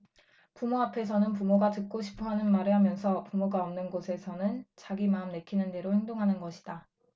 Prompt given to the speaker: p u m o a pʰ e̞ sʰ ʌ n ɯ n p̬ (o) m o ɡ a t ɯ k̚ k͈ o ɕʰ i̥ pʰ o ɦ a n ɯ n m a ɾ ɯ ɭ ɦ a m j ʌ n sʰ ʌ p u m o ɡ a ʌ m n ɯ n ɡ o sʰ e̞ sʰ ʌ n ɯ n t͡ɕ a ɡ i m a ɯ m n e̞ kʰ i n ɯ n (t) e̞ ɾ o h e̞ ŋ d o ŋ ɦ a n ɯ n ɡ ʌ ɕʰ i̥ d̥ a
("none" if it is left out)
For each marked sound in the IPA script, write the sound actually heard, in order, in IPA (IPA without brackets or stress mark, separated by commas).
u, d